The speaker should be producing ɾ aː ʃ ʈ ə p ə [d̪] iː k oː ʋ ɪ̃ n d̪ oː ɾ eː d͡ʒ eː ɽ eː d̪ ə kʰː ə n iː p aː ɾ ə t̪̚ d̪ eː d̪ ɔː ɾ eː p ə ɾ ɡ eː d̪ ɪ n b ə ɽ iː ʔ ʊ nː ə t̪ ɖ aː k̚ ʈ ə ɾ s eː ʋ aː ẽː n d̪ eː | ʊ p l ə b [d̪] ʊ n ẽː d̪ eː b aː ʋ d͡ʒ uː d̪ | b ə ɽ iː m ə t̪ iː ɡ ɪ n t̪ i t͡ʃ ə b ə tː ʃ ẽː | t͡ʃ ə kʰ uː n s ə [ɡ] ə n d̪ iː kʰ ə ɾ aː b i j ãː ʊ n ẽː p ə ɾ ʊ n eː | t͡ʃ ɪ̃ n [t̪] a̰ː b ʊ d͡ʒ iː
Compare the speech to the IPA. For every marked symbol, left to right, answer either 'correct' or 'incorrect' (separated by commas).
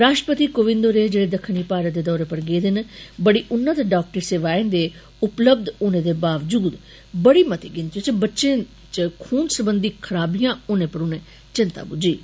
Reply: incorrect, correct, incorrect, correct